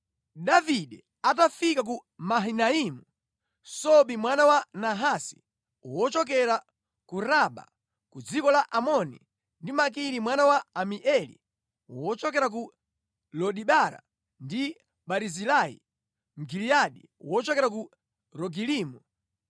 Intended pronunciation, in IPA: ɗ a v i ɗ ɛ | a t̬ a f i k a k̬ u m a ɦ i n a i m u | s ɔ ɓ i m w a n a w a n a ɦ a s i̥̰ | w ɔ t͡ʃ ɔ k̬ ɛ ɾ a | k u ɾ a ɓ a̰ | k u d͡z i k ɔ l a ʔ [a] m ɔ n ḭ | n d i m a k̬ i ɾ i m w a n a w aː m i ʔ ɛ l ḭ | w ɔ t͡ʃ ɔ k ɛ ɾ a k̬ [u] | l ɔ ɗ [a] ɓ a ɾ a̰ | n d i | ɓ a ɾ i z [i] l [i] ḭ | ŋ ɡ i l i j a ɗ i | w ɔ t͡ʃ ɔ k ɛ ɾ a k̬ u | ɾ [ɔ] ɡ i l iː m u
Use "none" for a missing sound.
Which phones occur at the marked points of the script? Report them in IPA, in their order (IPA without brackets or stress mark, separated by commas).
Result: a, u, i, i, a, ɔ